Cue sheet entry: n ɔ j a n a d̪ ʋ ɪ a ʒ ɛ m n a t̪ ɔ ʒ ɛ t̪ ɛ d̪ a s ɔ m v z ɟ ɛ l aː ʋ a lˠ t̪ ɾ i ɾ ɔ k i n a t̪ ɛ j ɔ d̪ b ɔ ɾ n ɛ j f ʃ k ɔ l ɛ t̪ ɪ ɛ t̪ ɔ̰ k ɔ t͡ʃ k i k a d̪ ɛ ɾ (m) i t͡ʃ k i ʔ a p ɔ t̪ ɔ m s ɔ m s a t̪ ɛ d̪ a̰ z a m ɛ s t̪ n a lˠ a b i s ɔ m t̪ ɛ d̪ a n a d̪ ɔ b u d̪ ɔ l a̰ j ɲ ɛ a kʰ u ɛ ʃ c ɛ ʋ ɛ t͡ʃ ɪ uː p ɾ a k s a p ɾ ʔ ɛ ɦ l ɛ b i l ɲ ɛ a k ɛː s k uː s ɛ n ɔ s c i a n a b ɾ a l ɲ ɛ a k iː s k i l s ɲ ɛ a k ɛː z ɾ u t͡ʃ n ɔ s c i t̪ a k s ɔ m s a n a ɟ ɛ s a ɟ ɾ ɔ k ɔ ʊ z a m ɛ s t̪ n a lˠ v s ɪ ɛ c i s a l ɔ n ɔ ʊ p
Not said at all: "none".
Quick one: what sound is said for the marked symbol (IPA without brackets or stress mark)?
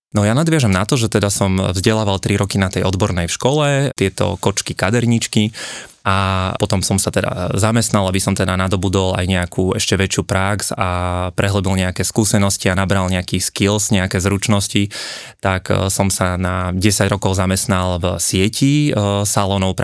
ɲ